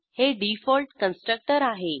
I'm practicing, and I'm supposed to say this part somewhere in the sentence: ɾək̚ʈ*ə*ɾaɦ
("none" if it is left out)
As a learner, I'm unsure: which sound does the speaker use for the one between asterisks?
ə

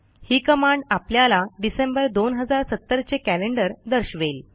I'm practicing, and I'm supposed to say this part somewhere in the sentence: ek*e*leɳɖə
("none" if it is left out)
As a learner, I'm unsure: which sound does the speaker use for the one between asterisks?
æ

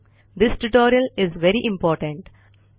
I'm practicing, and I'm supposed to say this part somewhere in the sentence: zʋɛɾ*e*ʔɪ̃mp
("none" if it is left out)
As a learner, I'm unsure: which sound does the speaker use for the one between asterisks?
i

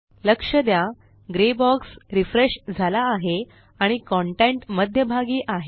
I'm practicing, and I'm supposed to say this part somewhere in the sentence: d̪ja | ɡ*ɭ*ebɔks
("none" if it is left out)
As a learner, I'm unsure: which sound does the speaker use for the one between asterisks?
ɾ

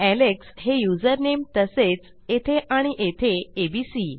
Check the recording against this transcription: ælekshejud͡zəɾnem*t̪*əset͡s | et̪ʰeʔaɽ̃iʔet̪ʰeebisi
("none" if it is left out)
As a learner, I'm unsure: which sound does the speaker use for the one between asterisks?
t̪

